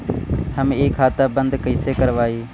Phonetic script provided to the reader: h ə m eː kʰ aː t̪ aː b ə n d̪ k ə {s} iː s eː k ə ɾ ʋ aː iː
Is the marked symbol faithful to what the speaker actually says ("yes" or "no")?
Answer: no